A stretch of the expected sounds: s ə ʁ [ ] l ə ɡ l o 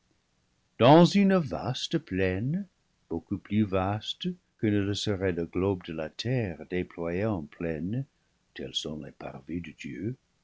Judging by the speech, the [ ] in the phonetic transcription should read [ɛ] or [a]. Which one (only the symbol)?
ɛ